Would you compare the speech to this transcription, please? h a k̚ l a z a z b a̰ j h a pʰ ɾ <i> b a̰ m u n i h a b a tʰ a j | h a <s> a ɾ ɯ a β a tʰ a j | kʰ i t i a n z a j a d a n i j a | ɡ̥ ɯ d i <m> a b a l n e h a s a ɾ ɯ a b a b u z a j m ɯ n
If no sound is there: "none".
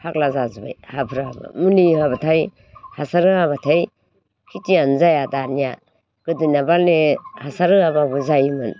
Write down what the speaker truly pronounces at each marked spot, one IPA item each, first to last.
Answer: a, s, n

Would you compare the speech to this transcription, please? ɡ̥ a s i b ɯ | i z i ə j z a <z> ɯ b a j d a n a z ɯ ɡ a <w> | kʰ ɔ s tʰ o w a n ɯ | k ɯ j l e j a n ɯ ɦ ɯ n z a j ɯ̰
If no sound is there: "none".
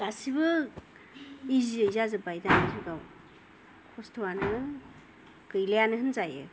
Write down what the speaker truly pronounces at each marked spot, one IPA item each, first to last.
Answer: z, w

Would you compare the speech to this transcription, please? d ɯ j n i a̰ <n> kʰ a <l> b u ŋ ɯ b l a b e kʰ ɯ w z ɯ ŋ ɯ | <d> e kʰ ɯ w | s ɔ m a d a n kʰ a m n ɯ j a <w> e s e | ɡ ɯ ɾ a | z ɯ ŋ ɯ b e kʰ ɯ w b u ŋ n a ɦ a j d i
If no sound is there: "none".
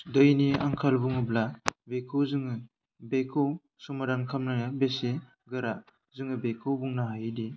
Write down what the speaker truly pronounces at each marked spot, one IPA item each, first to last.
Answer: ŋ, l, b, b

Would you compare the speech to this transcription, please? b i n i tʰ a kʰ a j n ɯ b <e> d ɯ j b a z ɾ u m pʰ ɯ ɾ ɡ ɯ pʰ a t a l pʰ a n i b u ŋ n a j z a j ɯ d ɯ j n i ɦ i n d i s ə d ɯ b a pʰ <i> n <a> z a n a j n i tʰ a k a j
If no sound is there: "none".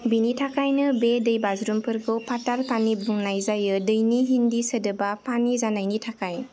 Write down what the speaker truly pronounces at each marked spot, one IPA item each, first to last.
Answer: e, a, i

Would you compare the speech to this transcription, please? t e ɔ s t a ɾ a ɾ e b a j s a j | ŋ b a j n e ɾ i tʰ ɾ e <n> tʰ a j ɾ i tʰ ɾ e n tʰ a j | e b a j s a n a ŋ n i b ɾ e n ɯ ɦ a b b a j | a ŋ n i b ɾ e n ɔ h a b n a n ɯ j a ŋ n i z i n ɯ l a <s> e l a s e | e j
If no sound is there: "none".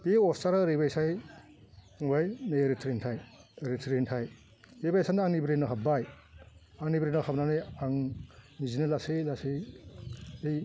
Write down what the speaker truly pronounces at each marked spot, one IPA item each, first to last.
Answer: n, s

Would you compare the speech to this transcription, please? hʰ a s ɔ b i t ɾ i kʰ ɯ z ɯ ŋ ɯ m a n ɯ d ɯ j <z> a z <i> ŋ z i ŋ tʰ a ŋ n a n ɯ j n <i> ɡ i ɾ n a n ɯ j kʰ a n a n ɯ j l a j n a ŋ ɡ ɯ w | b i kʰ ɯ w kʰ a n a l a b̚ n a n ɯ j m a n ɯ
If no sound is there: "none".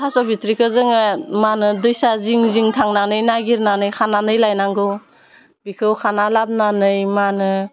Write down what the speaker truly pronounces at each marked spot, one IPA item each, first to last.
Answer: s, i, a

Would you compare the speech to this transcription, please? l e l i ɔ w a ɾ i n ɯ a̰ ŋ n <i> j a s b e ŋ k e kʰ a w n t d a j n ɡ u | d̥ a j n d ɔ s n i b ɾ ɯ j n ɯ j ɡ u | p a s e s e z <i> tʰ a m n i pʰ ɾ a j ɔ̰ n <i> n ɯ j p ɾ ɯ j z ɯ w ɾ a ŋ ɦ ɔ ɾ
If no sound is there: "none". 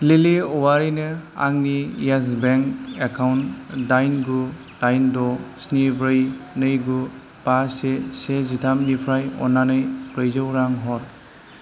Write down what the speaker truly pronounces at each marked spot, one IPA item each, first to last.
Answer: i, i, a

